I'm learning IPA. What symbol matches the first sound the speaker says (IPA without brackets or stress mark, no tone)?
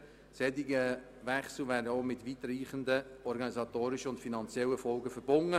s